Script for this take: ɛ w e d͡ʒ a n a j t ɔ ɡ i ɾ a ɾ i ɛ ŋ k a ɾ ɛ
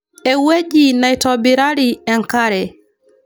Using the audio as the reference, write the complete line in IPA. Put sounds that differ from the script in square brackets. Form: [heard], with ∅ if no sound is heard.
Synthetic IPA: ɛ w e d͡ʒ [i] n a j t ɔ [b] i ɾ a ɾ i ɛ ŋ k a ɾ ɛ